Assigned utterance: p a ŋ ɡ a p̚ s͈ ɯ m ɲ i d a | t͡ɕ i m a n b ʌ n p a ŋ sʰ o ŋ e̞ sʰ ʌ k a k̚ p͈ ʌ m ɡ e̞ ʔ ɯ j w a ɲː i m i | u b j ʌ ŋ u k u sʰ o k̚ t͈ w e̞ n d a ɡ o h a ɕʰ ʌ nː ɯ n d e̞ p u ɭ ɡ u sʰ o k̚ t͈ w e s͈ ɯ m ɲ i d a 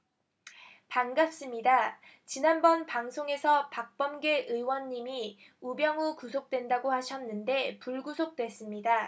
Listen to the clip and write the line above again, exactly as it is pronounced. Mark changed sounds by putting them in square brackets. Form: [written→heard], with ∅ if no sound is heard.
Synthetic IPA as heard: p a ŋ ɡ a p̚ s͈ ɯ m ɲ i d a | t͡ɕ i [m→n] a n b ʌ n p a ŋ sʰ o ŋ e̞ sʰ ʌ [k→p] a k̚ p͈ ʌ m ɡ e̞ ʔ ɯ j w [a→ʌ] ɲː i m i | u b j ʌ ŋ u k u sʰ o k̚ t͈ w e̞ n d a ɡ o h a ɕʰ ʌ nː ɯ n d e̞ p u ɭ ɡ u sʰ o k̚ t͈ w e s͈ ɯ m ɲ i d a

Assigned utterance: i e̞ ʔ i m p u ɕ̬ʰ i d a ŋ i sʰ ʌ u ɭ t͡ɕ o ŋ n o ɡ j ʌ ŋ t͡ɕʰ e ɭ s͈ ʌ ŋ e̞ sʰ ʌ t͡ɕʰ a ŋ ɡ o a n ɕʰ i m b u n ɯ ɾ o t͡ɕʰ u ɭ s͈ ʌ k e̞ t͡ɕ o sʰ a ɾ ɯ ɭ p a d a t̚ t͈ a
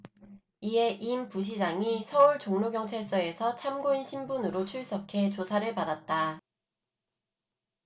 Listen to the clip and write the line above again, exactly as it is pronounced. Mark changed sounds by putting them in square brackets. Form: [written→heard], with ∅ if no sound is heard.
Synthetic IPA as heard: i e̞ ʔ i m p u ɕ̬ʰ i [d→d͡ʑ] a ŋ i sʰ ʌ u ɭ t͡ɕ o ŋ n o ɡ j ʌ ŋ t͡ɕʰ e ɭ s͈ ʌ [ŋ→∅] e̞ sʰ ʌ t͡ɕʰ a [ŋ→m] ɡ o [a→i] n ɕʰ i m b u n ɯ ɾ o t͡ɕʰ u ɭ s͈ ʌ [k→kʰ] e̞ t͡ɕ o sʰ a ɾ ɯ ɭ p a d a t̚ t͈ a

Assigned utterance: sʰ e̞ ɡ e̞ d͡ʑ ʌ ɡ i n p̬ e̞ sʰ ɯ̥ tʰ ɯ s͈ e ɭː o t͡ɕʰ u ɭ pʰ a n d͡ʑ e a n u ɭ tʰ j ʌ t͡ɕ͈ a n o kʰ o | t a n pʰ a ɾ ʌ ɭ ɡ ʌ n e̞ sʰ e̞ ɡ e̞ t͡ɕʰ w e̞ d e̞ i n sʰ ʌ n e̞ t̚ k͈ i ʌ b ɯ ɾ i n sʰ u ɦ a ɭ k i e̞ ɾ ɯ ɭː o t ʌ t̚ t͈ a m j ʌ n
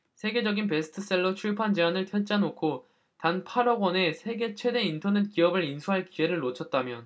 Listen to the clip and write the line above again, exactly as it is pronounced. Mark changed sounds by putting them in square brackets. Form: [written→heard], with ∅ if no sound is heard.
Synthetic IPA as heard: sʰ e̞ ɡ e̞ d͡ʑ ʌ ɡ i n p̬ e̞ sʰ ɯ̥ tʰ ɯ s͈ e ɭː o t͡ɕʰ u ɭ pʰ a n d͡ʑ e a n [u→ɯ] ɭ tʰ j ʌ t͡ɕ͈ a n o kʰ o | t a n pʰ a ɾ ʌ [ɭ→∅] ɡ ʌ n e̞ sʰ e̞ ɡ e̞ t͡ɕʰ w e̞ d e̞ i n [sʰ→tʰ] ʌ n e̞ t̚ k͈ i ʌ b ɯ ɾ i n sʰ u ɦ a ɭ k i e̞ ɾ ɯ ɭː o [t→t͡ɕʰ] ʌ t̚ t͈ a m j ʌ n

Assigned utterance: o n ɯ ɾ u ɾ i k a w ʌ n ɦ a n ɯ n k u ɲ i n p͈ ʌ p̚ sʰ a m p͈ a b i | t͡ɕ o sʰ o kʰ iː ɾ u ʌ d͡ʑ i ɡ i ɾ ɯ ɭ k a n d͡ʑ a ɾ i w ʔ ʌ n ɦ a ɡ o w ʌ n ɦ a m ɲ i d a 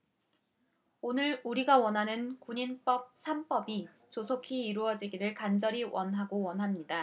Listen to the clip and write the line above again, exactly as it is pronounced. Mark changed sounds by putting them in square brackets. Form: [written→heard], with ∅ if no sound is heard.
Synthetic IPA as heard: o n ɯ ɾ u ɾ i [k→ɡ] a w ʌ n ɦ a n ɯ n k u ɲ i n p͈ ʌ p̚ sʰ a m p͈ [a→ʌ] b i | t͡ɕ o sʰ o kʰ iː ɾ u ʌ d͡ʑ i ɡ i ɾ ɯ ɭ k a n d͡ʑ [a→ʌ] ɾ i w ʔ ʌ n ɦ a ɡ o w ʌ n ɦ a m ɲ i d a

